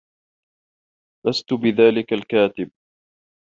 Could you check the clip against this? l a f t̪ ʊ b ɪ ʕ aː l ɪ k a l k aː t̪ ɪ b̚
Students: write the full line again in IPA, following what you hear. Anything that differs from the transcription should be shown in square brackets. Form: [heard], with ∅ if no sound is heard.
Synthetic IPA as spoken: l a [s] t̪ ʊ b ɪ [ð] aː l ɪ k a l k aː t̪ ɪ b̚